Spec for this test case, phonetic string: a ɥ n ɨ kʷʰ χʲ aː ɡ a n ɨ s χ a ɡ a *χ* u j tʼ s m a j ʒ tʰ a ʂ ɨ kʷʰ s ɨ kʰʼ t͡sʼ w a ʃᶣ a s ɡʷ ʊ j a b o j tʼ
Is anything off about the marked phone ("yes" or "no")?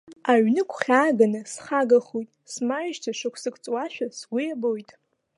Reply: no